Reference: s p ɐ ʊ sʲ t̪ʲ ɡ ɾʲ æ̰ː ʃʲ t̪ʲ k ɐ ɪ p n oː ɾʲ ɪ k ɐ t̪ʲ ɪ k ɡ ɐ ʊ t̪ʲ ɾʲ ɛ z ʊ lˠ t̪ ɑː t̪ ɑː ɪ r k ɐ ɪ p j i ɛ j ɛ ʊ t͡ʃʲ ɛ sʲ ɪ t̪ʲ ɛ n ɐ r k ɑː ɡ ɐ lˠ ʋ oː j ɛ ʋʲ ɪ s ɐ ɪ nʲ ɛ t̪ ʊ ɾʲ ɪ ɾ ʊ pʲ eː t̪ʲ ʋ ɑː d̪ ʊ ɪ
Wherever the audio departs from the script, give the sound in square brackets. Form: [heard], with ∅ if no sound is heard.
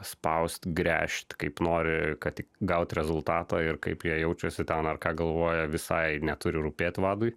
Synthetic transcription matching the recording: s p ɐ ʊ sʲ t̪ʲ ɡ ɾʲ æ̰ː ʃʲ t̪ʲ k ɐ ɪ p n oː ɾʲ ɪ k ɐ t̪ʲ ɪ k ɡ ɐ ʊ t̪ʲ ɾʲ ɛ z ʊ lˠ t̪ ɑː t̪ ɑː ɪ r k ɐ ɪ p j i ɛ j ɛ ʊ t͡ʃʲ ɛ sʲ ɪ t̪ʲ ɛ n ɐ r k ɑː ɡ ɐ lˠ ʋ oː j ɛ ʋʲ ɪ s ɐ ɪ nʲ ɛ t̪ ʊ ɾʲ ɪ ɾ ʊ pʲ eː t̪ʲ ʋ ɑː d̪ ʊ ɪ